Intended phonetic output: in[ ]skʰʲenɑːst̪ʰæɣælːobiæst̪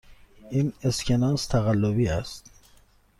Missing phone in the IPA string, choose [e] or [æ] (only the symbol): e